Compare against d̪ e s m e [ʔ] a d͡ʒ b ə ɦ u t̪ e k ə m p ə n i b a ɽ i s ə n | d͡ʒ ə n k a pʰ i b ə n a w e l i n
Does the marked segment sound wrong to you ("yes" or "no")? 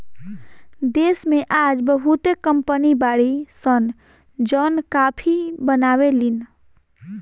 no